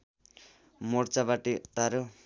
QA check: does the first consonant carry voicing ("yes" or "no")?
yes